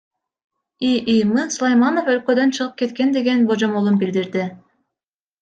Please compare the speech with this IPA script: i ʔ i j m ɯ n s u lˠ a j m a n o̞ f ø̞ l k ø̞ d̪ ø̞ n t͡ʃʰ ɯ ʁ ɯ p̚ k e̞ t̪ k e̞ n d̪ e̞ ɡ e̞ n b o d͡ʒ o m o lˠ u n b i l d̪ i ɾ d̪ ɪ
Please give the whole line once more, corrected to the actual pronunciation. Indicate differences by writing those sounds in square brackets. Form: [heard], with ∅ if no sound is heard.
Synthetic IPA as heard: i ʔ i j m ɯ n s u lˠ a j m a n o̞ f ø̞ l k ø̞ d̪ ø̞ n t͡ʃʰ ɯ ʁ ɯ p̚ k e̞ t̪ k e̞ n d̪ e̞ ɡ e̞ n b o d͡ʒ o m o lˠ u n b i l d̪ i ɾ d̪ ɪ